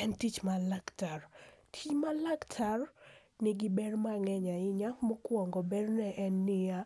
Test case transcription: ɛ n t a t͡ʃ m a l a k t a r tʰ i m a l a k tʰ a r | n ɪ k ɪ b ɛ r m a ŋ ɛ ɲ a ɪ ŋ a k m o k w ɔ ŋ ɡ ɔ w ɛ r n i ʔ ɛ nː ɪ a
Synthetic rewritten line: ɛ n t i t͡ʃ m a l a k t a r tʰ i m a l a k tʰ a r | n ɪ ɡ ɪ b ɛ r m a ŋ ɛ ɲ a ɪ ɲ a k m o k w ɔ ŋ ɡ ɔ b ɛ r n ɛ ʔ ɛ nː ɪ a